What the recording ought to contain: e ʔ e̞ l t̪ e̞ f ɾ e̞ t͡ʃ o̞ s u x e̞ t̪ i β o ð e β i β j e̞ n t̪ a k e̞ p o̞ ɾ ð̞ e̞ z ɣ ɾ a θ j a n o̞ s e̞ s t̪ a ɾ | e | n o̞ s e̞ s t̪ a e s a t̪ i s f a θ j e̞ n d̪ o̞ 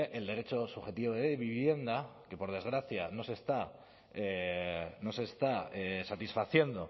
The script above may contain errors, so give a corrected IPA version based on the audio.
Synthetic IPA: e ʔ e̞ l d̪ e̞ ɾ e̞ t͡ʃ o̞ s u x e̞ t̪ i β o ð e β i β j e̞ n d̪ a k e̞ p o̞ ɾ ð̞ e̞ z ɣ ɾ a θ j a n o̞ s e̞ s t̪ a | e | n o̞ s e̞ s t̪ a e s a t̪ i s f a θ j e̞ n d̪ o̞

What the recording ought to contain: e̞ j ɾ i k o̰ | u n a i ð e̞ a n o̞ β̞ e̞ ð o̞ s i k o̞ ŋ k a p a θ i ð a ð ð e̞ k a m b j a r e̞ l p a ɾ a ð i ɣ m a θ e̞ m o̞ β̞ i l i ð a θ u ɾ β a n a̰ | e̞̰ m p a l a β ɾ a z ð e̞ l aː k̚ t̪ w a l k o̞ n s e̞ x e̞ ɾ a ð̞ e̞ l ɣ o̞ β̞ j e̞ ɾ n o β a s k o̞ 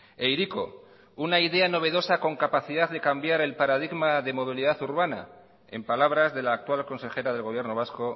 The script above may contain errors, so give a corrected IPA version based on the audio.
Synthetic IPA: e̞ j ɾ i k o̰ | u n a i ð e̞ a n o̞ β̞ e̞ ð o̞ s a k o̞ ŋ k a p a θ i ð a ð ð e̞ k a m b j a ɾ e̞ l p a ɾ a ð i ɣ m a ð e̞ m o̞ β̞ i l i ð a θ u ɾ β a n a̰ | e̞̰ m p a l a β ɾ a z ð e̞ l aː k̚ t̪ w a l k o̞ n s e̞ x e̞ ɾ a ð̞ e̞ l ɣ o̞ β̞ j e̞ ɾ n o β a s k o̞

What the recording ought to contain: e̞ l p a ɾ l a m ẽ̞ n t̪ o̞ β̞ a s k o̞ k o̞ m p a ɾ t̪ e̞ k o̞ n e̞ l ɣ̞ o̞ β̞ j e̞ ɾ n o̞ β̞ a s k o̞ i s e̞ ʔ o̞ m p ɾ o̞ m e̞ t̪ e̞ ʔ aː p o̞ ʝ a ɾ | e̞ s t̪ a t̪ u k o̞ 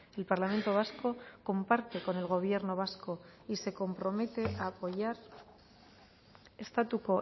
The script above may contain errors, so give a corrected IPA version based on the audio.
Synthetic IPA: e̞ l p a ɾ l a m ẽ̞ n t̪ o̞ β̞ a s k o̞ k o̞ m p a ɾ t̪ e̞ k o̞ n e̞ l ɣ̞ o̞ β̞ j e̞ ɾ n o̞ β̞ a s k o̞ i s e̞ k o̞ m p ɾ o̞ m e̞ t̪ e̞ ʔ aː p o̞ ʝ a ɾ | e̞ s t̪ a t̪ u k o̞

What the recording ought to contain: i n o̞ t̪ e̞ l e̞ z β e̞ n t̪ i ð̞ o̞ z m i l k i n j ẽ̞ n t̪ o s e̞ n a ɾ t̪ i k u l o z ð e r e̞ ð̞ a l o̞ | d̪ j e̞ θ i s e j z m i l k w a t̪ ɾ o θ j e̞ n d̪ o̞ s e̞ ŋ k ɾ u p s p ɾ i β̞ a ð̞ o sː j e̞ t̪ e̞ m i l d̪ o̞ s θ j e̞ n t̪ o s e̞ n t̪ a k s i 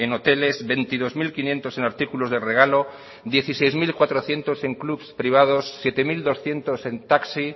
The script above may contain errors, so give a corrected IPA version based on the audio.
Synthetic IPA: e n o̞ t̪ e̞ l e̞ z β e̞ n t̪ i ð̞ o̞ z m i l k i n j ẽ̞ n t̪ o s e̞ n a ɾ t̪ i k u l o z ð e r e̞ ɣ̞ a l o̞ | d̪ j e̞ θ i s e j z m i l k w a t̪ ɾ o θ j e̞ n t̪ o̞ s e̞ ŋ k l u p s p ɾ i β̞ a ð̞ o sː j e̞ t̪ e̞ m i l d̪ o̞ s θ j e̞ n t̪ o s e̞ n t̪ a k s i

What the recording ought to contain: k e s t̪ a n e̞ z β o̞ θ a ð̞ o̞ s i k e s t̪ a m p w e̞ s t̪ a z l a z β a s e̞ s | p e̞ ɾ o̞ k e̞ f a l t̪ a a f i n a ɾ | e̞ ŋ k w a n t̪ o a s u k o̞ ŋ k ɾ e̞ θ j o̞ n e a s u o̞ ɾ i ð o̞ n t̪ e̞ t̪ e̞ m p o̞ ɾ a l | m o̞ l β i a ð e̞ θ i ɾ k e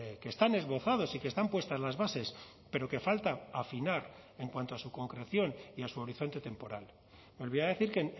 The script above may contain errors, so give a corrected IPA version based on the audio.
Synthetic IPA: k e s t̪ a n e̞ z β o̞ θ a ð̞ o̞ s i k e s t̪ a m p w e̞ s t̪ a z l a z β a s e̞ s | p e̞ ɾ o̞ k e̞ f a l t̪ a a f i n a ɾ | e̞ ŋ k w a n t̪ o a s u k o̞ ŋ k ɾ e̞ θ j o̞ n i a s u o̞ ɾ i θ o̞ n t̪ e̞ t̪ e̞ m p o̞ ɾ a l | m o̞ l β i a ð e̞ θ i ɾ k e

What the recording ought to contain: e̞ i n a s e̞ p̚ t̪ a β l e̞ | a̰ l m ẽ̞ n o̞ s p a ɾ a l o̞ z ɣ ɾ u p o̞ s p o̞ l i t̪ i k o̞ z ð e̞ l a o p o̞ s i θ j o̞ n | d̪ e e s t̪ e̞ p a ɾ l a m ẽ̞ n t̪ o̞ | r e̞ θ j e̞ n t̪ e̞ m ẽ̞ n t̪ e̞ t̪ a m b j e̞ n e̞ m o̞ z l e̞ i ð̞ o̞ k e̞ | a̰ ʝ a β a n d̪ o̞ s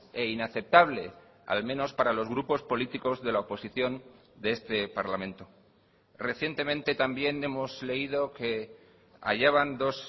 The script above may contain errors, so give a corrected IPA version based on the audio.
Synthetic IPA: e̞ i n a θ e̞ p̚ t̪ a β l e̞ | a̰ l m ẽ̞ n o̞ s p a ɾ a l o̞ z ɣ ɾ u p o̞ s p o̞ l i t̪ i k o̞ z ð e̞ l a o p o̞ s i θ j o̞ n | d̪ e e s t̪ e̞ p a ɾ l a m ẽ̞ n t̪ o̞ | r e̞ θ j e̞ n t̪ e̞ m ẽ̞ n t̪ e̞ t̪ a m b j e̞ n e̞ m o̞ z l e̞ i ð̞ o̞ k e̞ | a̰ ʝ a β a n d̪ o̞ s

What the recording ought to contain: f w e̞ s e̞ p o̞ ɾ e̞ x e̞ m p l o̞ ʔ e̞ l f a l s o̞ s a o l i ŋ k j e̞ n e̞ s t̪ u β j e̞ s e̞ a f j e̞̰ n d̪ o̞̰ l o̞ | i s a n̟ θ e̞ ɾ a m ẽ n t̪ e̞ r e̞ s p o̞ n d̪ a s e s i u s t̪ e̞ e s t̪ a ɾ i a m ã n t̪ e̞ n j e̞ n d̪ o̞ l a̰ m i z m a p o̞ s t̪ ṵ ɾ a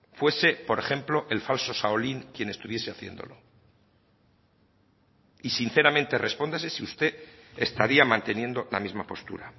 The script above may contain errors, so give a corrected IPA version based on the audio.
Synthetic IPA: f w e̞ s e̞ p o̞ ɾ e̞ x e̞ m p l o̞ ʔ e̞ l f a l s o̞ s a o l i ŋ k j e̞ n e̞ s t̪ u β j e̞ s e̞ a θ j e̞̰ n d̪ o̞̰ l o̞ | i s i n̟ θ e̞ ɾ a m ẽ n t̪ e̞ r e̞ s p o̞ n d̪ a s e s i u s t̪ e̞ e s t̪ a ɾ i a m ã n t̪ e̞ n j e̞ n d̪ o̞ l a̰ m i z m a p o̞ s t̪ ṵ ɾ a

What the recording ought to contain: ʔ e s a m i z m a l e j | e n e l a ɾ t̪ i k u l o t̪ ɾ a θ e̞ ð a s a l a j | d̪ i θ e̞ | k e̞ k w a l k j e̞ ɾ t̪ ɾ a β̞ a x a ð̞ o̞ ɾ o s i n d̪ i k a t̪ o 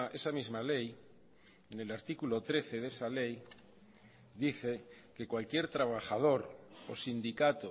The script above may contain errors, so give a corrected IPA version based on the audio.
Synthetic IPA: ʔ e s a m i z m a l e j | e n e l a ɾ t̪ i k u l o t̪ ɾ e θ e̞ ð e s a l e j | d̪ i θ e̞ | k e̞ k w a l k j e̞ ɾ t̪ ɾ a β̞ a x a ð̞ o̞ ɾ o s i n d̪ i k a t̪ o

